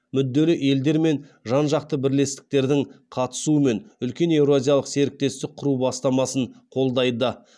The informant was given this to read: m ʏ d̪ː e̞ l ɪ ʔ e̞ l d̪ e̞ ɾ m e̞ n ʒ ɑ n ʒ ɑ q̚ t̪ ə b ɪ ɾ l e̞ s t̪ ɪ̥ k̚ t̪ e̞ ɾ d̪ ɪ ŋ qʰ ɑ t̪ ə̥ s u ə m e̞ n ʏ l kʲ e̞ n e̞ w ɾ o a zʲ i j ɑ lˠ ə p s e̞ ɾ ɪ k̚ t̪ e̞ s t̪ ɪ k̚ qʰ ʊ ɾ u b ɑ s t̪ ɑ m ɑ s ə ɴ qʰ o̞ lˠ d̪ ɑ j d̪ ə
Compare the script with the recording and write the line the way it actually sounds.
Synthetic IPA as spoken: m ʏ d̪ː e̞ l ɪ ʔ e̞ l d̪ e̞ ɾ m e̞ n ʒ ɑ n ʒ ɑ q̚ t̪ ə b ɪ ɾ l e̞ s t̪ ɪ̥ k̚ t̪ e̞ ɾ d̪ ɪ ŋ qʰ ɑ t̪ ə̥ s u ə m e̞ n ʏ l kʲ e̞ n e̞ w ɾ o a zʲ i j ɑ lˠ ə q s e̞ ɾ ɪ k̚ t̪ e̞ s t̪ ɪ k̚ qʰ ʊ ɾ u b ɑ s t̪ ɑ m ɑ s ə ɴ qʰ o̞ lˠ d̪ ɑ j d̪ ə